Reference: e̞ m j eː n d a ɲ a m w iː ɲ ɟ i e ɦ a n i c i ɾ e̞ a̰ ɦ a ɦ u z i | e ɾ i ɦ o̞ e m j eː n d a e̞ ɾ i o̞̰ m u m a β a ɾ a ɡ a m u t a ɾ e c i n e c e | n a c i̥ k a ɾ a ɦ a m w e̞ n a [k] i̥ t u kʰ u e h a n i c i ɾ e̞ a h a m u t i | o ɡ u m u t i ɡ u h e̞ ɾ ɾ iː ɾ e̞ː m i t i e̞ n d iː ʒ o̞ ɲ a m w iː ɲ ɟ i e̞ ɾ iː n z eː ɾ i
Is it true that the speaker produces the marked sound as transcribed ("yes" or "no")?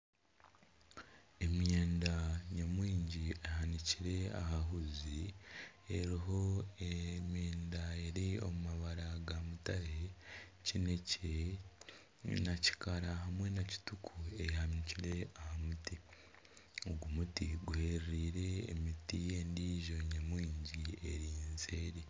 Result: no